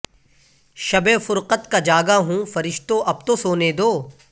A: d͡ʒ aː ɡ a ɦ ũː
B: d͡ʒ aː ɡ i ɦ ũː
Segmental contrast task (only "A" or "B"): A